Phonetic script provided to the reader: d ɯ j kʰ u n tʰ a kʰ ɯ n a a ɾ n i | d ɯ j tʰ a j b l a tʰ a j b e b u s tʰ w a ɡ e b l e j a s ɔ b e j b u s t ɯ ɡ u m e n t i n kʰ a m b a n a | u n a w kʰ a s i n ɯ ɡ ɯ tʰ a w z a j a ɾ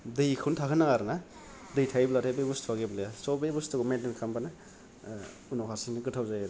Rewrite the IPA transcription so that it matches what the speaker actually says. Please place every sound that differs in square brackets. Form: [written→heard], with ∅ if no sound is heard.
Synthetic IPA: d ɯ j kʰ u n tʰ a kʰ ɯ n a a ɾ n [i→a] | d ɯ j tʰ a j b l a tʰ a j b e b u s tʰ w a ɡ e b l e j a s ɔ b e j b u s t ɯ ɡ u m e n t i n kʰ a m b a n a | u n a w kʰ a s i n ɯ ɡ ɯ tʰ a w z a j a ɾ